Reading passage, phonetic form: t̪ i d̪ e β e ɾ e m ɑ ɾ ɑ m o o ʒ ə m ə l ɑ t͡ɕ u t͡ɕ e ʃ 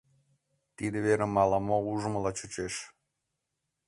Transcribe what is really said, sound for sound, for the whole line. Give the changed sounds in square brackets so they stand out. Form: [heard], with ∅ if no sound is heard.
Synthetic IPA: t̪ i d̪ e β e ɾ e m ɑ [l] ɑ m o [u] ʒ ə m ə l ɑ t͡ɕ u t͡ɕ e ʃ